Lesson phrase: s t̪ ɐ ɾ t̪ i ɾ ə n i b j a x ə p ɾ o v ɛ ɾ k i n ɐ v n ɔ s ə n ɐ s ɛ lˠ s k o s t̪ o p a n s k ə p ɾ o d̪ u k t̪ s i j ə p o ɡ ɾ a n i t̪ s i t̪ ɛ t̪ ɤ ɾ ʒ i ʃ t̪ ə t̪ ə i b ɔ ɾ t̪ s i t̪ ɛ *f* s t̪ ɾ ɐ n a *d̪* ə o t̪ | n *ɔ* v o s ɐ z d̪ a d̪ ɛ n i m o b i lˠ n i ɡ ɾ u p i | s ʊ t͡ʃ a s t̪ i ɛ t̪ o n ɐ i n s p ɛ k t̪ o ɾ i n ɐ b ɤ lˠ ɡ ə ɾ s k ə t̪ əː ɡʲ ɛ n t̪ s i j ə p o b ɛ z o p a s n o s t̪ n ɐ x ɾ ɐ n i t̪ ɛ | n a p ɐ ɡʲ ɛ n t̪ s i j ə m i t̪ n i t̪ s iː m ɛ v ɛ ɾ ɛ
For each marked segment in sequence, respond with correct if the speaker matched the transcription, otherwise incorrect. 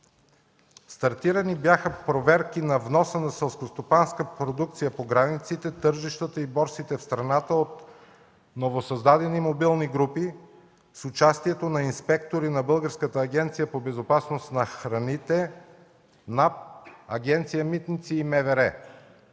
correct, incorrect: t̪, incorrect: o

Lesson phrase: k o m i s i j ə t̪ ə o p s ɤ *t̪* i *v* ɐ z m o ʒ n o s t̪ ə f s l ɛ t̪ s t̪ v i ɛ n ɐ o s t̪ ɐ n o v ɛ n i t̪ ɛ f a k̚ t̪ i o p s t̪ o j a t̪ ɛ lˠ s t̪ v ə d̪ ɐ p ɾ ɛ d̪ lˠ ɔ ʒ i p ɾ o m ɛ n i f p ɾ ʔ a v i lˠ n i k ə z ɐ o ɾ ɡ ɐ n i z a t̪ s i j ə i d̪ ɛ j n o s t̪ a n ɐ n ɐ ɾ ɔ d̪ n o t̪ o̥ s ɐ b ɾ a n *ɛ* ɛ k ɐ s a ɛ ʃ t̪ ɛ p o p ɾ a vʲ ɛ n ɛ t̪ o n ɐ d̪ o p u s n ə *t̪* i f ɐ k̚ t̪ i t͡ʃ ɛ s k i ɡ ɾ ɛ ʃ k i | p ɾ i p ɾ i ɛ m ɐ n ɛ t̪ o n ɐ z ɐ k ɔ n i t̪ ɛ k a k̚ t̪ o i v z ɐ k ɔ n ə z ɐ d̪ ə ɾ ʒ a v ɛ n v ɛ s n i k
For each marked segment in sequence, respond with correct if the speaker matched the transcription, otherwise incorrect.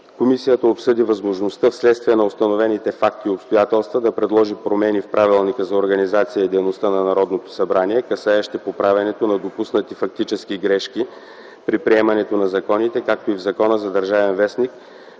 incorrect: d̪, correct, incorrect: i, correct

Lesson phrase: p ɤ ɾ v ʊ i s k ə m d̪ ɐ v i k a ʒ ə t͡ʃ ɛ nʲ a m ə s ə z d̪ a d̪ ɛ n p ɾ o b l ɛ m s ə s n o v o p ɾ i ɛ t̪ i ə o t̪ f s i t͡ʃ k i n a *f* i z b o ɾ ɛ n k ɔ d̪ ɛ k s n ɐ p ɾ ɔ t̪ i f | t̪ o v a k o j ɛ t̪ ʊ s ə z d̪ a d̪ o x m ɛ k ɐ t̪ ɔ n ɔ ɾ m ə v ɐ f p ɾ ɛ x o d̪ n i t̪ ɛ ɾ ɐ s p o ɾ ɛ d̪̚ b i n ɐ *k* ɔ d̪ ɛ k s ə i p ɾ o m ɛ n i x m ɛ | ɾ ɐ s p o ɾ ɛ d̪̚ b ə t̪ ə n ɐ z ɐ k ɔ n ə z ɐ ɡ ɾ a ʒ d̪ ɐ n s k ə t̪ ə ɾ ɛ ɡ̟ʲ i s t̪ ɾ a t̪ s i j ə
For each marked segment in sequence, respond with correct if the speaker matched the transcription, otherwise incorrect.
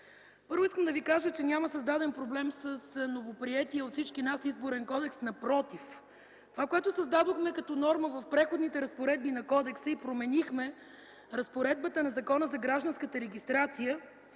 incorrect: s, correct

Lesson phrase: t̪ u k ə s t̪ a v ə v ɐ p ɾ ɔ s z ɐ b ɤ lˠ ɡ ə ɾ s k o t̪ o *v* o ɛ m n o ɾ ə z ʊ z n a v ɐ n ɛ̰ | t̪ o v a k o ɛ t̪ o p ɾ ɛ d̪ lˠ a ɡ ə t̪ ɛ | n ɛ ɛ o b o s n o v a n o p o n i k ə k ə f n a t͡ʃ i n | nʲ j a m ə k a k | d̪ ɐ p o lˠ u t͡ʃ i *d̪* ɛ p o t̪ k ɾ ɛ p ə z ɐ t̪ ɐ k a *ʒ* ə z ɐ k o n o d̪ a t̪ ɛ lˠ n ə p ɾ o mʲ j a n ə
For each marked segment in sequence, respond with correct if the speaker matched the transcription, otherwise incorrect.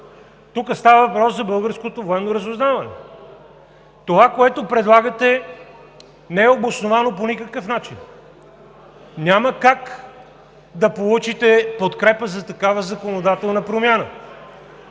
correct, incorrect: t̪, incorrect: v

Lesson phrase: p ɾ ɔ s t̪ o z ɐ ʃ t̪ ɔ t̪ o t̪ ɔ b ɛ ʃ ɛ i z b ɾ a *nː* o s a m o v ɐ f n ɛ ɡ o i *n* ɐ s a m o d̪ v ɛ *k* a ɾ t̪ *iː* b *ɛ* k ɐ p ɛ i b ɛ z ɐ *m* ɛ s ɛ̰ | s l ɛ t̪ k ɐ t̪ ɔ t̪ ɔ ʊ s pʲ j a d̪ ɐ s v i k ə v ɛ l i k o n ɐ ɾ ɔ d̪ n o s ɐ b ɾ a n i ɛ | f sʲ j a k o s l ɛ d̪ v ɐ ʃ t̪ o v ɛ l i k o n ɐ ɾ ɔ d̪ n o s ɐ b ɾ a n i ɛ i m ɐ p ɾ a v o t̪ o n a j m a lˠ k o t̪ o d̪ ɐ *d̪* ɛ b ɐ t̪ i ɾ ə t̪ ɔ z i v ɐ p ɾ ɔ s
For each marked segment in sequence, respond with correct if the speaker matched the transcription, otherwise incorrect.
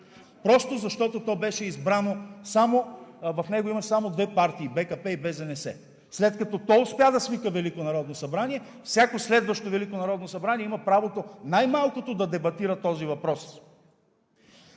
incorrect: n, incorrect: m, incorrect: p, correct, correct, incorrect: n, correct

